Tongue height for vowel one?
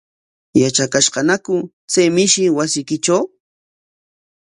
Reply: low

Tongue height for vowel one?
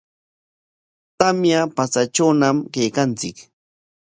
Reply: low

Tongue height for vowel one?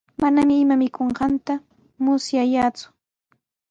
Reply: low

